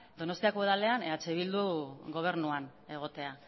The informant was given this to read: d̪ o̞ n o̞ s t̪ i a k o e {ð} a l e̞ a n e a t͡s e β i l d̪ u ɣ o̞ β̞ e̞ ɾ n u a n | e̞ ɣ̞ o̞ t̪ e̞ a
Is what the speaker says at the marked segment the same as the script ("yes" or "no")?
yes